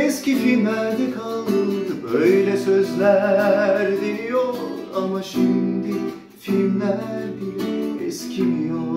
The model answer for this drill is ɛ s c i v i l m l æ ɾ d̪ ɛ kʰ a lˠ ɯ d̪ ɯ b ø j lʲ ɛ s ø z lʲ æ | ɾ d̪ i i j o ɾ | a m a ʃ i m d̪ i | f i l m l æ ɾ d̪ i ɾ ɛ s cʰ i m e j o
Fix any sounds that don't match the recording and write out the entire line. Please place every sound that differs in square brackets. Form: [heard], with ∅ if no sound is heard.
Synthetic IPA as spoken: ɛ s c i [f] i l m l æ ɾ d̪ ɛ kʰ a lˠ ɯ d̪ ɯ b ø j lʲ ɛ s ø z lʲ æ | ɾ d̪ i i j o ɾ | a m a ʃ i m d̪ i | f i l m l æ ɾ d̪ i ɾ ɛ s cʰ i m [i] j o